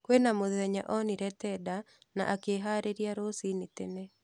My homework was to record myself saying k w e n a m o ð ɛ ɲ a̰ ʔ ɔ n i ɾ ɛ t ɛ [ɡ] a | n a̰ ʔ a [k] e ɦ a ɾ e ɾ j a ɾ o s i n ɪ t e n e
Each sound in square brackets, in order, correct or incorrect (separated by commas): incorrect, correct